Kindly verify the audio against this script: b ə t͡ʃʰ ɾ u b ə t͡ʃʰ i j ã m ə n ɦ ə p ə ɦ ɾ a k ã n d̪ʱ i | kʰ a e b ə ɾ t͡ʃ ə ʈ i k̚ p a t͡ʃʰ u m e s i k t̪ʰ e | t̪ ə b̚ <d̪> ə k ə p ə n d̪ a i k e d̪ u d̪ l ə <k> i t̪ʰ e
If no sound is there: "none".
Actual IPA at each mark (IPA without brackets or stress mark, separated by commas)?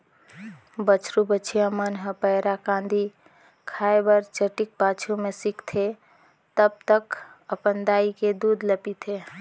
t̪, p